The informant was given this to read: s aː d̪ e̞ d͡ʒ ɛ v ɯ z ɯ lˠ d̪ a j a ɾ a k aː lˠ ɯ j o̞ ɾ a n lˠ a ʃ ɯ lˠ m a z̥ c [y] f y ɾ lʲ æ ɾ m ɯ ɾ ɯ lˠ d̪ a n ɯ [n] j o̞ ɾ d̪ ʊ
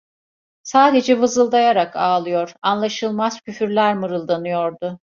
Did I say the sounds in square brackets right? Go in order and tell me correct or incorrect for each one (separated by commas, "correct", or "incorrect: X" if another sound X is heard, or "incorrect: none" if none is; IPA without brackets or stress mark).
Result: correct, incorrect: none